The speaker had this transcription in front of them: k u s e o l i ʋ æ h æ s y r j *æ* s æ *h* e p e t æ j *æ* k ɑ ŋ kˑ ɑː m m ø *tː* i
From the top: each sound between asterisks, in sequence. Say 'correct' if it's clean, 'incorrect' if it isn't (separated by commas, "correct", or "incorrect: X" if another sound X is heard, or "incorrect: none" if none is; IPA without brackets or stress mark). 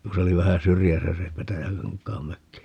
correct, incorrect: s, correct, incorrect: kː